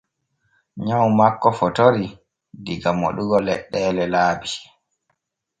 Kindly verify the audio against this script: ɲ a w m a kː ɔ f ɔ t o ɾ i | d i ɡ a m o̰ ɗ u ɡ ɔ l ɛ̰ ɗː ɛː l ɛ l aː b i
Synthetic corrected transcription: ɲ a w m a kː ɔ f ɔ t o ɾ i | d i ɡ a m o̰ ɗ u ɡ ɔ l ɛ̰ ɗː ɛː l ɛ l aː b i